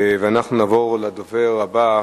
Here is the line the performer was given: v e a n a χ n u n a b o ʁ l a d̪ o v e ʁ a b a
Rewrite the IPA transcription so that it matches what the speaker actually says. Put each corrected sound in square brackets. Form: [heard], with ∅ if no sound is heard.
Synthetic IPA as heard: v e a n a χ n u n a [v] o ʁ l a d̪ o v e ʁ a b a